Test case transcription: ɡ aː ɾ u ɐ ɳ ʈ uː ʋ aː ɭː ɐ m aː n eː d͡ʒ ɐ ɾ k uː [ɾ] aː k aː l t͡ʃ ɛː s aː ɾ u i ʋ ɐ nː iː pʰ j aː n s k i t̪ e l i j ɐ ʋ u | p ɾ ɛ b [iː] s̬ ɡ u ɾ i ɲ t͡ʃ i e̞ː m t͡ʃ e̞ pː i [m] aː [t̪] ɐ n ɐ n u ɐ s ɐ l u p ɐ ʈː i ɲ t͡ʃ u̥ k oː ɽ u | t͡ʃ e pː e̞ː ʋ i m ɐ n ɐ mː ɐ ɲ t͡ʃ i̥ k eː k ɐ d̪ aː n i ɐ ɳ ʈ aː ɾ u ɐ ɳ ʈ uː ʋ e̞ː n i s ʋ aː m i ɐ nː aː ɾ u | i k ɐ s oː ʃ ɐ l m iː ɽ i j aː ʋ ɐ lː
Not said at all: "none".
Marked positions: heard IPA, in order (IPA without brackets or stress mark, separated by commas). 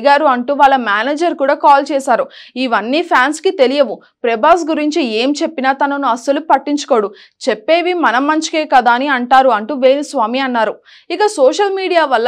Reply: ɽ, aː, n, t̪